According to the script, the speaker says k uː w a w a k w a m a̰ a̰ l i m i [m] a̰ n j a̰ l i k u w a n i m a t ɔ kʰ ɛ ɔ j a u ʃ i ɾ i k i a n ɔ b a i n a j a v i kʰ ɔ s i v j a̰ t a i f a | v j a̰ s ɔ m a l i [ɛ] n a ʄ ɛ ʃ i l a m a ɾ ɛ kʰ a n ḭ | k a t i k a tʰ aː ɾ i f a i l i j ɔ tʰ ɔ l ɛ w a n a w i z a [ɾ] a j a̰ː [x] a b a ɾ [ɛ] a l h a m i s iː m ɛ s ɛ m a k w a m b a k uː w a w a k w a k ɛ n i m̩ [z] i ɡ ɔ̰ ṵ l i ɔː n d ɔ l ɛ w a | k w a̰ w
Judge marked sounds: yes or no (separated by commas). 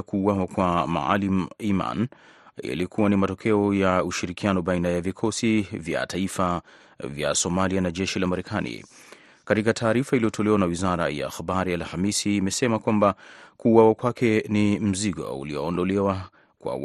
yes, no, yes, yes, no, yes